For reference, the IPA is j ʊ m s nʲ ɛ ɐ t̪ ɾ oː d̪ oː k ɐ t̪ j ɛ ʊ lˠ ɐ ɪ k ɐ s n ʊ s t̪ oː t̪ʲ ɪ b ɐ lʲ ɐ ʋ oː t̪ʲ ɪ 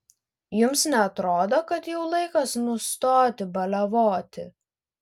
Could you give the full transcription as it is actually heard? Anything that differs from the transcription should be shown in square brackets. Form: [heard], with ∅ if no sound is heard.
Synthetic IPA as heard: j ʊ m s nʲ ɛ ɐ t̪ ɾ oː d̪ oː k ɐ t̪ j ɛ ʊ lˠ ɐ ɪ k ɐ s n ʊ s t̪ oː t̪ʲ ɪ b ɐ lʲ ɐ ʋ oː t̪ʲ ɪ